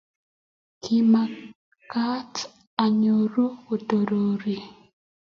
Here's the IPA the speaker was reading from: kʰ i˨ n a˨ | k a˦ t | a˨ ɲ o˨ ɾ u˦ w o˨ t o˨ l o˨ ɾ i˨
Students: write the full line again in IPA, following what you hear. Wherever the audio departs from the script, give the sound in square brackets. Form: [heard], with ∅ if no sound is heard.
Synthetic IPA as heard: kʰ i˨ [m] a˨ | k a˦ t | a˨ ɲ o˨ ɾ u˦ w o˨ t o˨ [ɾ] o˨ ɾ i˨

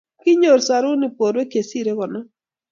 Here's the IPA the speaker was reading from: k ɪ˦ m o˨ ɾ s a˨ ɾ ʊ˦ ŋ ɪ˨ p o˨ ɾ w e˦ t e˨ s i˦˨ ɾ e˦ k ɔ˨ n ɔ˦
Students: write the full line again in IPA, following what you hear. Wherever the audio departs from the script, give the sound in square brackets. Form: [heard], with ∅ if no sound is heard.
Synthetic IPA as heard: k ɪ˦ [ɲ] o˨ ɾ s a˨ ɾ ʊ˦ [n] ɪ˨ p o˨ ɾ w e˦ [k] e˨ s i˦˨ ɾ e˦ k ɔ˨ n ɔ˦

